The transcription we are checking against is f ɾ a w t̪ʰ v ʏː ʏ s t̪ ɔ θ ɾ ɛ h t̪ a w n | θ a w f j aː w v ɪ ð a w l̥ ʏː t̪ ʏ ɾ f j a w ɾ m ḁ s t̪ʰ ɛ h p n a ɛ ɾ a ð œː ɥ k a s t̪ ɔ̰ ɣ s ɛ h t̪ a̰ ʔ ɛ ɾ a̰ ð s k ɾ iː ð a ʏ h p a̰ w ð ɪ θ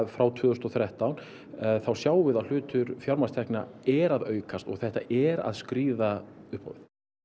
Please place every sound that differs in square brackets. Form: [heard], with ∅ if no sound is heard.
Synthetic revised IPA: f ɾ a w t̪ʰ v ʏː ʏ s t̪ ɔ θ ɾ ɛ h t̪ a w n | θ a w [s] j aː w v ɪ ð a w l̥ ʏː t̪ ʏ ɾ f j a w ɾ m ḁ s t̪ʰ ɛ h [k] n a ɛ ɾ a ð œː ɥ k a s t̪ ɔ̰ ɣ [θ] ɛ h t̪ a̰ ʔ ɛ ɾ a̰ ð s k ɾ iː ð a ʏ h p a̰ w [v] ɪ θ